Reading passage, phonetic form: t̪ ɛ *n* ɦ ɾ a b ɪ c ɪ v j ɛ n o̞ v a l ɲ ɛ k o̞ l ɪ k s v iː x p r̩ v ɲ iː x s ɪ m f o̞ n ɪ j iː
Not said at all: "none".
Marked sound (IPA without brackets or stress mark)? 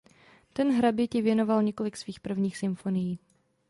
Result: n